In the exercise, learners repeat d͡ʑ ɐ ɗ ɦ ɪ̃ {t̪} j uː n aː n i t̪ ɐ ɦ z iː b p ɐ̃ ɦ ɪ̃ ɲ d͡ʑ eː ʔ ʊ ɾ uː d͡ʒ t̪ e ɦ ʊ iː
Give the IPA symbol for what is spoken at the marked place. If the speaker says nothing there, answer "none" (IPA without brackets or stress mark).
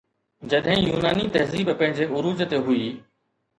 none